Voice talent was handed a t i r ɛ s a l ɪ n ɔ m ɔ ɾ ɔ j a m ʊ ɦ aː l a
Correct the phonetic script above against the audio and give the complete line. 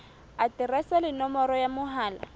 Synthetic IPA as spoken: a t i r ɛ s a l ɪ n ɔ m ɔ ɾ ɔ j a m ʊ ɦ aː l a